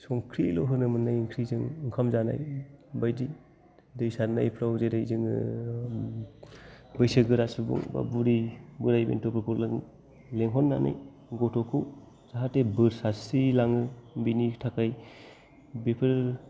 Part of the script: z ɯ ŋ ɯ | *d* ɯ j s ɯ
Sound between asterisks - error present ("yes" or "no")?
yes